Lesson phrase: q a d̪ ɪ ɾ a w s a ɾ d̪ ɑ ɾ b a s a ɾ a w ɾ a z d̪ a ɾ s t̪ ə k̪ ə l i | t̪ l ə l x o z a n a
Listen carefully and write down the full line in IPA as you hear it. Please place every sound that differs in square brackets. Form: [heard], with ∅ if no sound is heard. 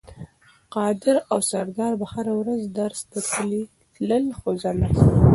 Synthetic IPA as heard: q [ɑ] d̪ ɪ ɾ a w s a ɾ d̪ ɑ ɾ b a [h] a ɾ a w ɾ a z d̪ a ɾ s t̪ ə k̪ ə l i | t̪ l ə l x o z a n a